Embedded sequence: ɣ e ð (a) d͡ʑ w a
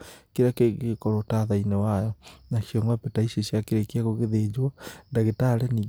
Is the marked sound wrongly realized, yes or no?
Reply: yes